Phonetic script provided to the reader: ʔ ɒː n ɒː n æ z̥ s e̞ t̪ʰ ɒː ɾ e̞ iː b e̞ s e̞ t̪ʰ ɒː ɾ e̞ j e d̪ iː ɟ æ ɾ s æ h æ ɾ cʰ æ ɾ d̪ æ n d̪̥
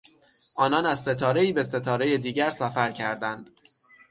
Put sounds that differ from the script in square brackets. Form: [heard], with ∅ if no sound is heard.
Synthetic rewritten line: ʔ ɒː n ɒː n æ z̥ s e̞ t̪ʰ ɒː ɾ e̞ iː b e̞ s e̞ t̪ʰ ɒː ɾ e̞ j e d̪ iː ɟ æ ɾ s æ [f] æ ɾ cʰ æ ɾ d̪ æ n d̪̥